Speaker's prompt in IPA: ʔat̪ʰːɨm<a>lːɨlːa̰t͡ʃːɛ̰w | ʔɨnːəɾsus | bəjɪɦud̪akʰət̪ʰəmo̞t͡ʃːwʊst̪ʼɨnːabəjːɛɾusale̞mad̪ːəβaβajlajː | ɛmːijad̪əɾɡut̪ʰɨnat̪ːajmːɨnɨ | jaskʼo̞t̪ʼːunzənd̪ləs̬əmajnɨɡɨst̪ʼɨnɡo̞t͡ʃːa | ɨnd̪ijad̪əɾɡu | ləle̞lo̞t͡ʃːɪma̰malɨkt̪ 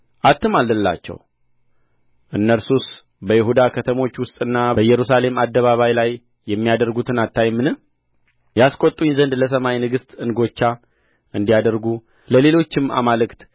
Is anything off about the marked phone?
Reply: no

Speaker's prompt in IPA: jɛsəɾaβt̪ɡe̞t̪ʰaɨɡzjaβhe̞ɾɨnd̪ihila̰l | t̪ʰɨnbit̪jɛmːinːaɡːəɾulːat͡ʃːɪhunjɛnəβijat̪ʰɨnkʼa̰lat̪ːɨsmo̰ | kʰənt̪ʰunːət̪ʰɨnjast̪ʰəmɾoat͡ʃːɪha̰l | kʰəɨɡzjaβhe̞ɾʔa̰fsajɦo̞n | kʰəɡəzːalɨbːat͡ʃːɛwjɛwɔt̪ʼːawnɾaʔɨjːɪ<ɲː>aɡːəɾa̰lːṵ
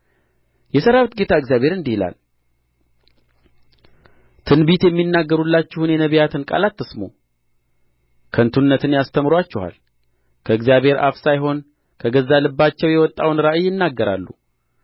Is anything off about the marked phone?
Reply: yes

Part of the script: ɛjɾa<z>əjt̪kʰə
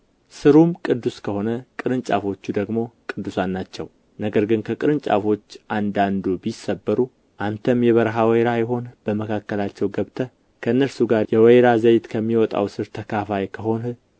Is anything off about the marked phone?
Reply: no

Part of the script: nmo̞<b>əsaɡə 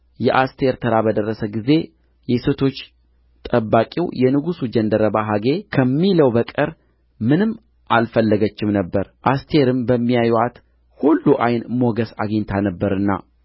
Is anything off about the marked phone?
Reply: yes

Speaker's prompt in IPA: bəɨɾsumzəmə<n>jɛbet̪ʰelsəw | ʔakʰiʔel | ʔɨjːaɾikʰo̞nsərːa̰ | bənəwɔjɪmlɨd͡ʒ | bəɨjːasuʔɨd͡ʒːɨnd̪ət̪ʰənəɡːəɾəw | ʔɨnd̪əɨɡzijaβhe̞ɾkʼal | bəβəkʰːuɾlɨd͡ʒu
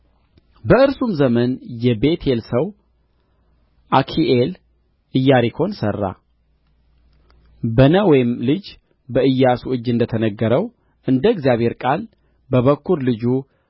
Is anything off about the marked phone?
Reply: no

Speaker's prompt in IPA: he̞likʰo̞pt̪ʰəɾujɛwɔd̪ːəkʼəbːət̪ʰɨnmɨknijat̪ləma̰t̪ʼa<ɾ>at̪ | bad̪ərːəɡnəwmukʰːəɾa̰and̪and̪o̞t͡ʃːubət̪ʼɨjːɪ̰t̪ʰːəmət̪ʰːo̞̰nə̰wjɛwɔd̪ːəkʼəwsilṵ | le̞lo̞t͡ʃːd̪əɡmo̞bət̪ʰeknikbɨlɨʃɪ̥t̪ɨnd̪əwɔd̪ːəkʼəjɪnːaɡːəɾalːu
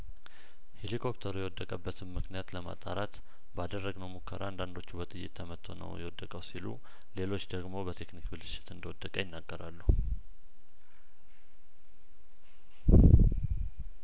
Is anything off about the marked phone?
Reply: no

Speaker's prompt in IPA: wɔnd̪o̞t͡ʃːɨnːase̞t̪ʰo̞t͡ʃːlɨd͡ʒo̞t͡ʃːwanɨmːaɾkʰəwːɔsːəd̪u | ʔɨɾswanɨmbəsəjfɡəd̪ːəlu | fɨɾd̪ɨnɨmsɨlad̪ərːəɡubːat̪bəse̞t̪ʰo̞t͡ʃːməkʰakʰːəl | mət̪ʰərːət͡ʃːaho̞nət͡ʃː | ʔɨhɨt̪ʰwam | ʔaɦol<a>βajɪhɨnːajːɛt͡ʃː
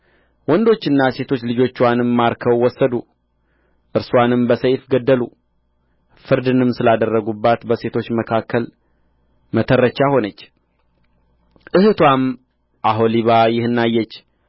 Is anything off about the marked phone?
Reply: yes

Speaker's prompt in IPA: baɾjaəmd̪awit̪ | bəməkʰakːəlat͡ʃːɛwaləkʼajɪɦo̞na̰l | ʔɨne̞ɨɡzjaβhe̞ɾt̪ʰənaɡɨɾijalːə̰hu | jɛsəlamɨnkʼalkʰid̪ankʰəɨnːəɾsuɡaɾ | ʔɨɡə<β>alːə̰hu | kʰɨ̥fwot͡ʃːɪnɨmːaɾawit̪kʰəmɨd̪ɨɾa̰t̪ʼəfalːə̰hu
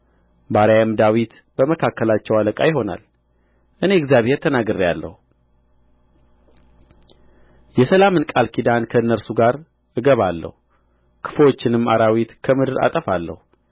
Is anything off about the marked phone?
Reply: no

